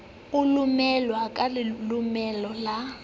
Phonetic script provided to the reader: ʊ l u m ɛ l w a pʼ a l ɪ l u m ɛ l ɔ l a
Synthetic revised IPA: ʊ l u m ɛ l w a kʼ a l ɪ l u m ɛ l ɔ l a